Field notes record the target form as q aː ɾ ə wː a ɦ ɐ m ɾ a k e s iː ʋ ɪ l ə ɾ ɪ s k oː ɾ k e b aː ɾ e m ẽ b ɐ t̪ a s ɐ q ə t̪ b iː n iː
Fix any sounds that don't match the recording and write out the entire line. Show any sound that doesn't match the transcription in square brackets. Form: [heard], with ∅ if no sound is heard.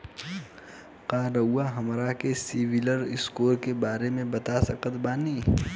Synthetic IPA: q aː ɾ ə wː a ɦ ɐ m ɾ a k e s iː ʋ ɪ l ə ɾ ɪ s k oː ɾ k e b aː ɾ e m ẽ b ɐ t̪ a s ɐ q ə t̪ b [aː] n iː

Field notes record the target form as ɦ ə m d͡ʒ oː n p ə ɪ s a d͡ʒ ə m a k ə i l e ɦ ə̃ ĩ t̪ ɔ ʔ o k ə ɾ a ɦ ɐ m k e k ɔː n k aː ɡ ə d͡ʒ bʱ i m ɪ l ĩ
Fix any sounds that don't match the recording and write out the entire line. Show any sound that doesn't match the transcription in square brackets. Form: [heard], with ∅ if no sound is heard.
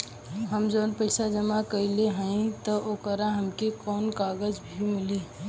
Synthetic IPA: ɦ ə m d͡ʒ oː n p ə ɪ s a d͡ʒ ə m a k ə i l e ɦ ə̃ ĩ t̪ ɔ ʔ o k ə ɾ a ɦ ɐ m k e k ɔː n k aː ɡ ə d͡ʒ bʱ i m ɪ l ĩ

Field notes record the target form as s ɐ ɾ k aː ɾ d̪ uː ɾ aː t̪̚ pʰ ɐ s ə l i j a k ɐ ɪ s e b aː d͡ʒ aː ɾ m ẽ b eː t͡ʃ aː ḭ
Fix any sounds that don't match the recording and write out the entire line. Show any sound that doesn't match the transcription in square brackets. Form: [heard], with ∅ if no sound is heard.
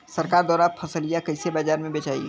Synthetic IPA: s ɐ ɾ k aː ɾ d̪ [ɔː] ɾ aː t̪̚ pʰ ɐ s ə l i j a k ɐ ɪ s e b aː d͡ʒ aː ɾ m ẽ b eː t͡ʃ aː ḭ

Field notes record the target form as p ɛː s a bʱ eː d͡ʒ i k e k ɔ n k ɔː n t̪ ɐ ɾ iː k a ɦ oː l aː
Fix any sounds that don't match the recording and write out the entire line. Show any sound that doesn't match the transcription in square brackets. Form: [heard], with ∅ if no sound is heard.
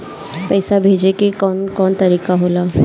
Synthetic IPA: p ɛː s a bʱ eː d͡ʒ [e] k e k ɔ n k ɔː n t̪ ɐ ɾ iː k a ɦ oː l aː

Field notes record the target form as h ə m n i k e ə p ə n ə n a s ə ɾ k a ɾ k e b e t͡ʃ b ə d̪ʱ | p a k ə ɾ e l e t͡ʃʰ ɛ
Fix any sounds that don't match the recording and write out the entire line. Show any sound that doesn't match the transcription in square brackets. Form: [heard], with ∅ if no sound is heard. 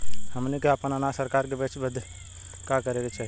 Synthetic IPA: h ə m n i k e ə p ə n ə n a s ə ɾ k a ɾ k e b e t͡ʃ b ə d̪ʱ | [k] a k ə ɾ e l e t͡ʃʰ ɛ

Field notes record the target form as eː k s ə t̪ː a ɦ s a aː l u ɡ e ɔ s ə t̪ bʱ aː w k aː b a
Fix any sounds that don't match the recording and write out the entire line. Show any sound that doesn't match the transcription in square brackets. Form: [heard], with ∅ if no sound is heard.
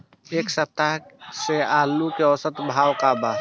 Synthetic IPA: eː k s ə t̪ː a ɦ s [e] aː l u [k] e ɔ s ə t̪ bʱ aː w k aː b a

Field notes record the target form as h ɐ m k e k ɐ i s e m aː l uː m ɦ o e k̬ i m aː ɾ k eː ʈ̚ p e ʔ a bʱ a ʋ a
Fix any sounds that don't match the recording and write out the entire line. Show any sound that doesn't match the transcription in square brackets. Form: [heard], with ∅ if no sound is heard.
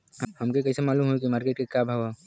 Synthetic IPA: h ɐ m k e k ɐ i s e m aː l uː m ɦ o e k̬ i m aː ɾ k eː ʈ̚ [k] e [k] a bʱ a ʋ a

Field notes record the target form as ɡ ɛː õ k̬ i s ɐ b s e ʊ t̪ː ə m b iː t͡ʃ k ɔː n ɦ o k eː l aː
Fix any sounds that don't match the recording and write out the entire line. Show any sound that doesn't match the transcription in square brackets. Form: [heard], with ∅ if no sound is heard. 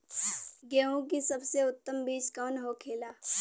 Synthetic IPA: ɡ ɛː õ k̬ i s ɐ b s e ʊ t̪ː ə m b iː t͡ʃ k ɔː n ɦ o [kʰ] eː l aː

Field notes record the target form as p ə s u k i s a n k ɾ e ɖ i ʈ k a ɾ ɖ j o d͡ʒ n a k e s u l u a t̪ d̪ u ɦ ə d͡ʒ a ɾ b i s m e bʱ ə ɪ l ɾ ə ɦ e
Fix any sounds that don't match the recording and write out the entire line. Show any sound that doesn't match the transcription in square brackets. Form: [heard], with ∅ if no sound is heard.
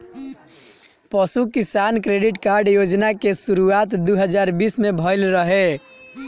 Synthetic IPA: p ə s u k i s a n k ɾ e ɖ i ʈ k a ɾ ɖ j o d͡ʒ n a k e s u [ɾ] u a t̪ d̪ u ɦ ə d͡ʒ a ɾ b i s m e bʱ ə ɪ l ɾ ə ɦ e

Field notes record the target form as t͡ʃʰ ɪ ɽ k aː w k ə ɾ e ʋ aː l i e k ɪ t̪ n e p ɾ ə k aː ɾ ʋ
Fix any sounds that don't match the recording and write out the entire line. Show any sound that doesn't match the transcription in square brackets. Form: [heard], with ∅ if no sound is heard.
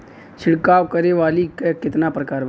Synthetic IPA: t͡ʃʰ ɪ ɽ k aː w k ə ɾ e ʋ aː l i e k ɪ t̪ n [a] p ɾ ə k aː ɾ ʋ

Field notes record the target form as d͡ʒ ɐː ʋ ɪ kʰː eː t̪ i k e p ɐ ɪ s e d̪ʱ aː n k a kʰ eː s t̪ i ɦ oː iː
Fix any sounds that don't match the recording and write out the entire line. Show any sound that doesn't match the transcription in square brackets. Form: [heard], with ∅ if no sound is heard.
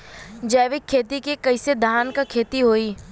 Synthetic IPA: d͡ʒ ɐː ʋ ɪ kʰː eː t̪ i k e [k] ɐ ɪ s e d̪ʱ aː n k a kʰ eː [∅] t̪ i ɦ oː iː

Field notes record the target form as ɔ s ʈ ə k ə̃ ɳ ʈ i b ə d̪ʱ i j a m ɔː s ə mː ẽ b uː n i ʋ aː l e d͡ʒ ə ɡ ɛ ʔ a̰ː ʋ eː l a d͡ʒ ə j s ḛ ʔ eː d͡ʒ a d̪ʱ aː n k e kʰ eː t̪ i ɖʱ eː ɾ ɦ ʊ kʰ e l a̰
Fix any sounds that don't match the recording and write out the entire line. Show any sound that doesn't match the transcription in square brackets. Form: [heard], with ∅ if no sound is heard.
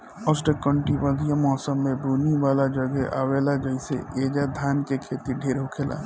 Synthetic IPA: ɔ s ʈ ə k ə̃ ɳ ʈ i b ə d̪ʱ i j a m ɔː s ə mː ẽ b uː n i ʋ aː l [a] d͡ʒ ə ɡ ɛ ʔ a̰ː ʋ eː l a d͡ʒ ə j s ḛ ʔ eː d͡ʒ a d̪ʱ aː n k e kʰ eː t̪ i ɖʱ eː ɾ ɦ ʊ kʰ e l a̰

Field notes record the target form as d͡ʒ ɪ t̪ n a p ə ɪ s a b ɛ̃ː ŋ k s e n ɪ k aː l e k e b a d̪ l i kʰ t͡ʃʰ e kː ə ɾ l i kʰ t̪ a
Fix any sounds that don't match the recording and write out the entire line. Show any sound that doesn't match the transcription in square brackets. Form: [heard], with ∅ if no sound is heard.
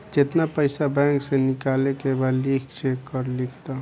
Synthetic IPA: d͡ʒ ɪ t̪ n a p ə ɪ s a b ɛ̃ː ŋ k s e n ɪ k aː l e k e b a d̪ l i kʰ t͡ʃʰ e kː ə ɾ l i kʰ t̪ a

